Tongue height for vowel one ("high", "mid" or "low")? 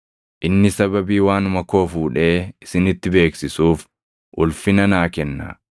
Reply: high